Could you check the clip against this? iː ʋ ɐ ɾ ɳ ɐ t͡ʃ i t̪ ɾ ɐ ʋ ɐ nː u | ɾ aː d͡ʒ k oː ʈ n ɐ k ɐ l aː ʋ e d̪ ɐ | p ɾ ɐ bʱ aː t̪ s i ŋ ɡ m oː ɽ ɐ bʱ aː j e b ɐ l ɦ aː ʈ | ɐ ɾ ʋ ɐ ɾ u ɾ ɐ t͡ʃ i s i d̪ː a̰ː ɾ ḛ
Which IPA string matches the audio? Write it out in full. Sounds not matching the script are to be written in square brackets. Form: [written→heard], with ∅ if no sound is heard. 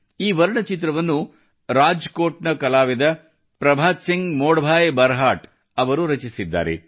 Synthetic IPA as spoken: iː ʋ ɐ ɾ ɳ ɐ t͡ʃ i t̪ ɾ ɐ ʋ ɐ nː u | ɾ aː d͡ʒ k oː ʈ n ɐ k ɐ l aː ʋ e d̪ ɐ | p ɾ ɐ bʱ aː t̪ s i ŋ ɡ m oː ɽ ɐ bʱ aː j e b ɐ [l→ɾ] ɦ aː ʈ | ɐ [ɾ→∅] ʋ ɐ ɾ u ɾ ɐ t͡ʃ i s i d̪ː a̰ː ɾ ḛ